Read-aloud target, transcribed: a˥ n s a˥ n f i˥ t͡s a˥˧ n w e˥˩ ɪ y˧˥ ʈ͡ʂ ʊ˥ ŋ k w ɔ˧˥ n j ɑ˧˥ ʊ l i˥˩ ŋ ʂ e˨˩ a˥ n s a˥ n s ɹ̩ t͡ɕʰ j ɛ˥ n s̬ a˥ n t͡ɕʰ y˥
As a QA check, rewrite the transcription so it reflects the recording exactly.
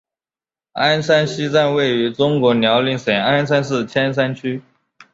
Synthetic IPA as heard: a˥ n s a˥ n ɕ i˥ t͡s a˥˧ n w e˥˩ ɪ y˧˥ ʈ͡ʂ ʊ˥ ŋ k w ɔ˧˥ n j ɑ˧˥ ʊ l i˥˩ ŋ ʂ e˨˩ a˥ n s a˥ n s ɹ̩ t͡ɕʰ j ɛ˥ n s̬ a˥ n t͡ɕʰ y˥